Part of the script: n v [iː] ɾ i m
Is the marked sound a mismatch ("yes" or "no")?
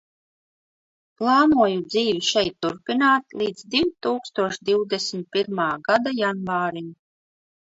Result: yes